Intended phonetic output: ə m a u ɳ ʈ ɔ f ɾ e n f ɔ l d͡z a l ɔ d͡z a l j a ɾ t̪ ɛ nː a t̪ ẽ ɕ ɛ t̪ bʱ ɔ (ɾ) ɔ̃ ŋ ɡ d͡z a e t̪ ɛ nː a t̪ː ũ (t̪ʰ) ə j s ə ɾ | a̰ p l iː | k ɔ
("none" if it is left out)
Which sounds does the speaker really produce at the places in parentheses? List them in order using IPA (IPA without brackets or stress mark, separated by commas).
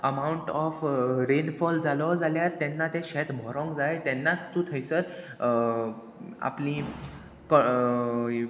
ɾ, t̪ʰ